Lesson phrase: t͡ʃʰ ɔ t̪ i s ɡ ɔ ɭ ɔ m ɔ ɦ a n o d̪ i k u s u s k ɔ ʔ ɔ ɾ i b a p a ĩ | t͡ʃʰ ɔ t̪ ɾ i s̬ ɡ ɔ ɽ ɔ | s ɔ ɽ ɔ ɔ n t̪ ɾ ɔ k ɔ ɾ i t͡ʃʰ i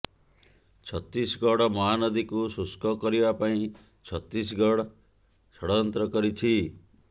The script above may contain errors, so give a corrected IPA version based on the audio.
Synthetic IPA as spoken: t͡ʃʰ ɔ t̪ i s ɡ ɔ ɽ ɔ m ɔ ɦ a n ɔ d̪ i k u s u s k ɔ k ɔ ɾ i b a p a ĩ | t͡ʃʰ ɔ t̪ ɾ i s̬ ɡ ɔ ɽ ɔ | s ɔ ɽ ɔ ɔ n t̪ ɾ ɔ k ɔ ɾ i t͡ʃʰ i